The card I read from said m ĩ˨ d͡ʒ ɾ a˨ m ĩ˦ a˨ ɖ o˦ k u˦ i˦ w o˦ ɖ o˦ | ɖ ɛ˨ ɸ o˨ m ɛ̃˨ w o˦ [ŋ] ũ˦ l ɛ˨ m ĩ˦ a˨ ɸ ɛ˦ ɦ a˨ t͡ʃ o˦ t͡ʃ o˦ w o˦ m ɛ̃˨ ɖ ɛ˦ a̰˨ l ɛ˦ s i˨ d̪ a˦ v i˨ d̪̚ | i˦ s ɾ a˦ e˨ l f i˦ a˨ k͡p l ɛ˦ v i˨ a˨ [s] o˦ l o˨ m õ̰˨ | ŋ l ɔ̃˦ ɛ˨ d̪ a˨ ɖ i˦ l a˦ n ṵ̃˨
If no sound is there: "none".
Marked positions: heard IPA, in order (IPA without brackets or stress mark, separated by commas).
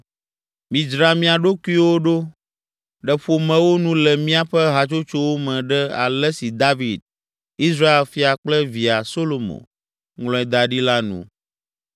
n, s